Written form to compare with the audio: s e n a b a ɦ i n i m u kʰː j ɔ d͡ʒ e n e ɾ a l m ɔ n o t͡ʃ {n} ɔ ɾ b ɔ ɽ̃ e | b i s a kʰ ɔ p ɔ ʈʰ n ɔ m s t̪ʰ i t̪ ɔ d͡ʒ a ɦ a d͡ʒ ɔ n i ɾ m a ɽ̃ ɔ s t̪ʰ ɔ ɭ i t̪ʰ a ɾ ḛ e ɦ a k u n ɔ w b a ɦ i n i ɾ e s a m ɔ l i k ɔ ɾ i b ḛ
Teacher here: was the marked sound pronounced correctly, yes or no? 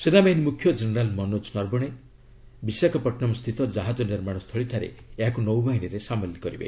yes